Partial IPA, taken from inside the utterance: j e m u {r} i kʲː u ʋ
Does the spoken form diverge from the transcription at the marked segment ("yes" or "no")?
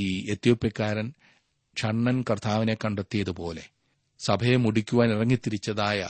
yes